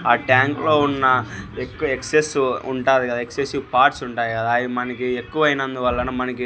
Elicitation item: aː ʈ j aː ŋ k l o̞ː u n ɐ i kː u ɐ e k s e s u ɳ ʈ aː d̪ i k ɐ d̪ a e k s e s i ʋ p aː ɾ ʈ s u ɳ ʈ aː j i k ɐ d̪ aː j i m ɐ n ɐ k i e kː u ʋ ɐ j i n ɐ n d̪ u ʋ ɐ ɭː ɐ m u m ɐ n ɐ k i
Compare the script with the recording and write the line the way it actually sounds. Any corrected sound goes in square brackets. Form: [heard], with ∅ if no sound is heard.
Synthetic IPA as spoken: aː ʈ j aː ŋ k l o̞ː u [nː] ɐ [e] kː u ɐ e k s e s u ɳ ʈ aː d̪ i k ɐ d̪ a e k s e s i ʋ p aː ɾ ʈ s u ɳ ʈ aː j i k ɐ d̪ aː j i m ɐ n ɐ k i e kː u ʋ ɐ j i n ɐ n d̪ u ʋ ɐ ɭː ɐ [n] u m ɐ n ɐ k i